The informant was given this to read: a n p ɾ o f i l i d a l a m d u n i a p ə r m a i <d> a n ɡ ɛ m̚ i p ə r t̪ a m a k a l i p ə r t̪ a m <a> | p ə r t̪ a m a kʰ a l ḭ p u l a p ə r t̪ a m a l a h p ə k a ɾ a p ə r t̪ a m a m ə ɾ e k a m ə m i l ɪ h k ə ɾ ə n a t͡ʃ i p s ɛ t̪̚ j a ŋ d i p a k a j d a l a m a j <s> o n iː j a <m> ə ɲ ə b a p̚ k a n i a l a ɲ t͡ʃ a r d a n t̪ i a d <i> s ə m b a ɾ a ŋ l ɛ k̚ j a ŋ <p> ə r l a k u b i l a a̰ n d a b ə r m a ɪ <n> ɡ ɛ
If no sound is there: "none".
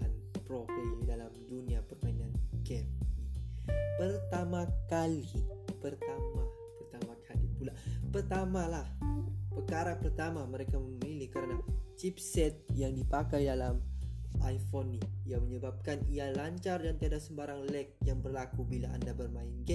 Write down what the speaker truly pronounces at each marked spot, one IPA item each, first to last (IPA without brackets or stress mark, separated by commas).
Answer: n, a, f, m, a, b, n